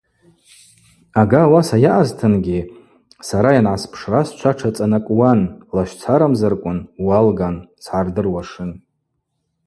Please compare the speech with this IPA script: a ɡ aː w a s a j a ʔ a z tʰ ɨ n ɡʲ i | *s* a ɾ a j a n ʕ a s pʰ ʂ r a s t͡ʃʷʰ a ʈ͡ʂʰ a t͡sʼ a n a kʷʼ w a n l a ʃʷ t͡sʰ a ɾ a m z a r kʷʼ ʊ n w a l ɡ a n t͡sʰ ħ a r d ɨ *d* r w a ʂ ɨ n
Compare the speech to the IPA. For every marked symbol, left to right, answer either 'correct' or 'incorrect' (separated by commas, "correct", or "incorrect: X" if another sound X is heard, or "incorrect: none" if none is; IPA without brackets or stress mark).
correct, incorrect: none